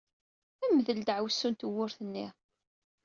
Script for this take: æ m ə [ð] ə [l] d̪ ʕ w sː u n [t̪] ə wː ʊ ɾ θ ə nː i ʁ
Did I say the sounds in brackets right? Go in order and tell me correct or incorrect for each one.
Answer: correct, correct, correct

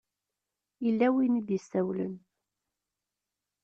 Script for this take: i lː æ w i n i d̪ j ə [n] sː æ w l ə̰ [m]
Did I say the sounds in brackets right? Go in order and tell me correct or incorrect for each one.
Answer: incorrect: none, incorrect: n

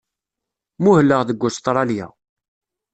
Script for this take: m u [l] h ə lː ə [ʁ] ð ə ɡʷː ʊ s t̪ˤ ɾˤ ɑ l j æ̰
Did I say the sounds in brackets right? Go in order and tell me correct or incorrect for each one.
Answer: incorrect: none, correct

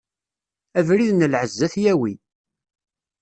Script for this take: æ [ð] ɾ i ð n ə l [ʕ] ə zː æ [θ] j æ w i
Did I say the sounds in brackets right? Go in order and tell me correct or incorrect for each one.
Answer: incorrect: v, correct, correct

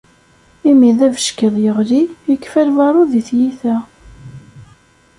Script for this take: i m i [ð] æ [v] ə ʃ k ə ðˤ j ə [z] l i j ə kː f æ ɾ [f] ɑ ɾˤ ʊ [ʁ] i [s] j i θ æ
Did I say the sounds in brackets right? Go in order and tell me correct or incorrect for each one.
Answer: correct, correct, incorrect: ʁ, incorrect: v, incorrect: ð, incorrect: θ

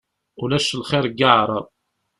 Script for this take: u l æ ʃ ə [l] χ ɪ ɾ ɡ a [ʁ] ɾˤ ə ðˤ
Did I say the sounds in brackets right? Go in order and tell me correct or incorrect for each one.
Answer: correct, incorrect: ʕ

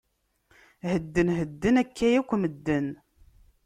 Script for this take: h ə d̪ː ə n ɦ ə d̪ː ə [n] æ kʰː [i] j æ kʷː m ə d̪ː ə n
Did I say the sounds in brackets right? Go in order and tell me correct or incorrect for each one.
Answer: correct, incorrect: æ

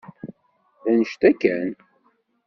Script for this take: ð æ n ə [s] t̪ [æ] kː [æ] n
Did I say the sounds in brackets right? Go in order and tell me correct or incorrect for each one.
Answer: incorrect: ʃ, correct, correct

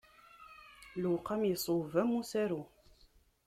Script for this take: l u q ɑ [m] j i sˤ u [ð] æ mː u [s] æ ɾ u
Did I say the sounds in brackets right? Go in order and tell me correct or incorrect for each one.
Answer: correct, incorrect: v, correct

